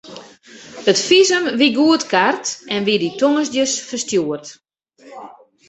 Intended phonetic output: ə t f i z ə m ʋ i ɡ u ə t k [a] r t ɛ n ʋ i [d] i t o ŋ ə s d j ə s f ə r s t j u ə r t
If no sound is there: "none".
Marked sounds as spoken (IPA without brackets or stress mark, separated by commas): a, d